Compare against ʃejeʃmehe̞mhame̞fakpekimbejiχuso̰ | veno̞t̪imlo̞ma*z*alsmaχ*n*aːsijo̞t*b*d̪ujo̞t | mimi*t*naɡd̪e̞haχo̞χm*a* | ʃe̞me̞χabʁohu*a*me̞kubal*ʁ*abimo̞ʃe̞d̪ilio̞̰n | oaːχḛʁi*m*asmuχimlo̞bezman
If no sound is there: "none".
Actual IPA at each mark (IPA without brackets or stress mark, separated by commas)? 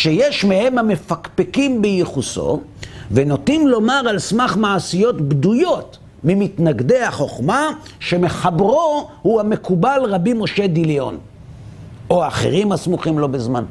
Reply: ʁ, m, b, t, a, a, ʁ, m